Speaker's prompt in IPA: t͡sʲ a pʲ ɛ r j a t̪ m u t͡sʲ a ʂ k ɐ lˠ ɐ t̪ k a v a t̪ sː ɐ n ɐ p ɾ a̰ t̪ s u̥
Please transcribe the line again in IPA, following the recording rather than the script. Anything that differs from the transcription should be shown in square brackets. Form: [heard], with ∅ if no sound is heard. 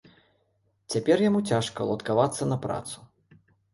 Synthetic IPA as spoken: t͡sʲ a pʲ ɛ r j a [∅] m u t͡sʲ a ʂ k ɐ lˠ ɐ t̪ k a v a t̪ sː ɐ n ɐ p ɾ a̰ t̪ s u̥